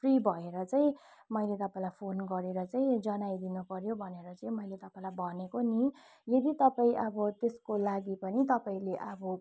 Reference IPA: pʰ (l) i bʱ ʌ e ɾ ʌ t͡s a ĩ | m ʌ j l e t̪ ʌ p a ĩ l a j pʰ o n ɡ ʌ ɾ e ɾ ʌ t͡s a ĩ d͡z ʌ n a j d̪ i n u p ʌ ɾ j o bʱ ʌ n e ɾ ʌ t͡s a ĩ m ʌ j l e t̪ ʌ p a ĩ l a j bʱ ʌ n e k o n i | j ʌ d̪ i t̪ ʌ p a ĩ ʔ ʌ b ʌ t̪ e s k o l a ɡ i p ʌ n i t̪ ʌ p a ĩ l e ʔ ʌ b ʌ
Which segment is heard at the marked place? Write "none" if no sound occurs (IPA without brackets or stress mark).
r